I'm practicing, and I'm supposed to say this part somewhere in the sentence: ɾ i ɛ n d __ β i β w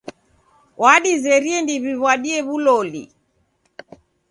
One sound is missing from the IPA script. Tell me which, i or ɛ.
i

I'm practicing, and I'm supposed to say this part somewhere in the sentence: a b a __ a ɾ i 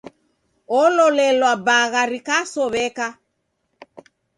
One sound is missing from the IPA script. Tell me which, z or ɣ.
ɣ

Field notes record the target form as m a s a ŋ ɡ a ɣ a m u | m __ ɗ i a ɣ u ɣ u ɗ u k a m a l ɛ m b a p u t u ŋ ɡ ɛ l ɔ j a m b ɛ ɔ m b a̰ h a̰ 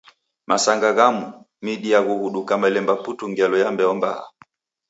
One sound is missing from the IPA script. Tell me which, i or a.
i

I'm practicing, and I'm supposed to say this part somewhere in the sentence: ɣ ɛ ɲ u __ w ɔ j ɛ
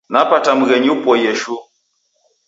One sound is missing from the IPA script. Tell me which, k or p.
p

